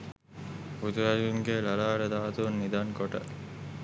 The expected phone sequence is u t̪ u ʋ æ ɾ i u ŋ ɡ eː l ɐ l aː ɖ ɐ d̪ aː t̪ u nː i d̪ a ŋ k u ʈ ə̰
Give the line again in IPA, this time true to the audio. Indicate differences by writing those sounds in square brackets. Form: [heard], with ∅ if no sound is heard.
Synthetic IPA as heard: u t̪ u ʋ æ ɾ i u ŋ ɡ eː l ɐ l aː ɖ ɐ d̪ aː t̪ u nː i d̪ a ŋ k [o] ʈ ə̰